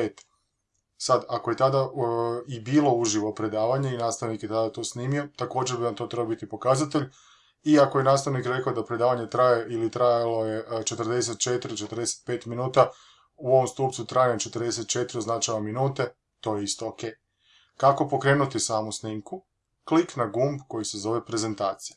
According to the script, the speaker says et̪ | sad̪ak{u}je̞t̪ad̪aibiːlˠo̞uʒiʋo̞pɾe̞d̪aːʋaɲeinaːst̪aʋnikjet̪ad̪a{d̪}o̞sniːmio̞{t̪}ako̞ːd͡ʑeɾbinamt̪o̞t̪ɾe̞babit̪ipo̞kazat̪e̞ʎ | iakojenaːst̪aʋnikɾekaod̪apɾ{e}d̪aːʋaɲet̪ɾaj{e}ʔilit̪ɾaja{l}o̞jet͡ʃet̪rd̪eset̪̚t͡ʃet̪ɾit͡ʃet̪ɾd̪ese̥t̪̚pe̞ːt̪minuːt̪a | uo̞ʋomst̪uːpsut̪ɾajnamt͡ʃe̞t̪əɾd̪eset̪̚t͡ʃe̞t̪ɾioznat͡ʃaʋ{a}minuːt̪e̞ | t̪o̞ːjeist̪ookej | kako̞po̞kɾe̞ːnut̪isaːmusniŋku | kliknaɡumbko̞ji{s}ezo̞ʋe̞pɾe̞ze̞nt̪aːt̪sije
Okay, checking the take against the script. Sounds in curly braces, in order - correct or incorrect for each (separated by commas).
incorrect, incorrect, correct, correct, correct, correct, correct, correct